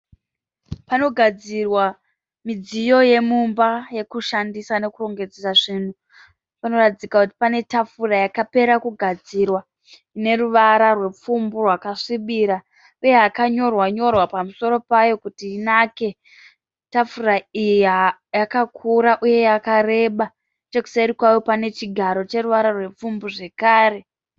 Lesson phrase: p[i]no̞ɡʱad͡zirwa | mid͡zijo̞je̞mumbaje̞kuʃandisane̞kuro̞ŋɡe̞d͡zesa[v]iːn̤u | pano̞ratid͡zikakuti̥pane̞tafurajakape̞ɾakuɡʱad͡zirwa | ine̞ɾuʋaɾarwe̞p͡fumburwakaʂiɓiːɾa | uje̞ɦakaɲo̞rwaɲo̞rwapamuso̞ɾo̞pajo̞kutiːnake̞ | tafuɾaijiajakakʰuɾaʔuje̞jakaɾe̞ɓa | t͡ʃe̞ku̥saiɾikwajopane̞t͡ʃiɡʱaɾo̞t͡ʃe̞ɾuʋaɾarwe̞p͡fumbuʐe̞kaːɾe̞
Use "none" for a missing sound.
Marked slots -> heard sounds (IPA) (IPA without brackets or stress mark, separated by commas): a, ʐ